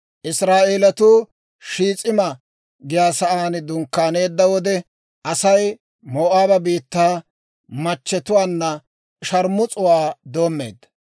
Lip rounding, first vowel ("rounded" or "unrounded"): unrounded